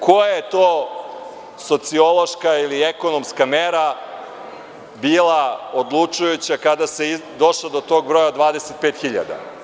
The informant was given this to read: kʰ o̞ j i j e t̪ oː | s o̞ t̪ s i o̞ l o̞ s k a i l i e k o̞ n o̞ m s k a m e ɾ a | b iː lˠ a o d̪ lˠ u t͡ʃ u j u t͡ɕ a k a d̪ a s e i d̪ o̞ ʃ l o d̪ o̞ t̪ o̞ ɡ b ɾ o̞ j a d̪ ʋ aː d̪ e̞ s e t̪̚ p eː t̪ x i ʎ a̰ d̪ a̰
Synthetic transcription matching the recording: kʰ o̞ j a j e t̪ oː | s o̞ t̪ s i o̞ l o̞ ʃ k a i l i e k o̞ n o̞ m s k a m e ɾ a | b iː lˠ a o d̪ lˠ u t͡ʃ u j u t͡ɕ a k a d̪ a s e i d̪ o̞ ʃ l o d̪ o̞ t̪ o̞ ɡ b ɾ o̞ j a d̪ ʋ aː d̪ e̞ s e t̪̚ p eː t̪ x i ʎ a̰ d̪ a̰